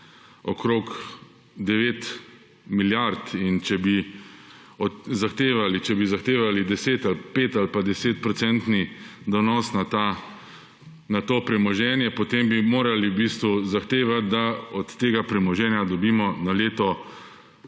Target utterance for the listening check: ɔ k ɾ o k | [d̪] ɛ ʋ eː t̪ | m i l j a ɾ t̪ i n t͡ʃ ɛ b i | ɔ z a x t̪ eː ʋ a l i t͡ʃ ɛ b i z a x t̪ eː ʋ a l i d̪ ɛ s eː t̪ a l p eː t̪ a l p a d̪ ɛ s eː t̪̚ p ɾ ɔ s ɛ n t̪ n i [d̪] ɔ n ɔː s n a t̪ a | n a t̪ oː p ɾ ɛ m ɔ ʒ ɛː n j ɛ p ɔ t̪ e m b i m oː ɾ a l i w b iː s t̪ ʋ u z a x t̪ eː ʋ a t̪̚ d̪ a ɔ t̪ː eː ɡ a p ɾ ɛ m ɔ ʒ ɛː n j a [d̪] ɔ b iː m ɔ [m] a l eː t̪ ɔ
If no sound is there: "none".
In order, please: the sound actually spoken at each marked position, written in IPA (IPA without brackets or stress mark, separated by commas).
d̪, d̪, d̪, n